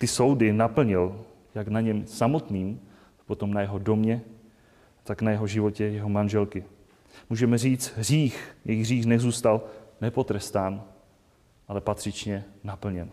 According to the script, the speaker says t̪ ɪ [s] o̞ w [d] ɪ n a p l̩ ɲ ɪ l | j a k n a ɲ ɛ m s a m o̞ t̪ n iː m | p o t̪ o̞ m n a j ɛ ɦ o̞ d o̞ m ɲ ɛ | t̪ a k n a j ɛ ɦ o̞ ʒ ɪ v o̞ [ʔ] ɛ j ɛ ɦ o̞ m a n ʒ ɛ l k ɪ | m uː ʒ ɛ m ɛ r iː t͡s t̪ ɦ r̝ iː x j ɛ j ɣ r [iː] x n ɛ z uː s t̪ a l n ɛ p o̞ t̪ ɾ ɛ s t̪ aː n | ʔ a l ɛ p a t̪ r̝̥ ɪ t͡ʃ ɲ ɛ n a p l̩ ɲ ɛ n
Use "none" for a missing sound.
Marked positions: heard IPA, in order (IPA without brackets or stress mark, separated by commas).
s, d, c, iː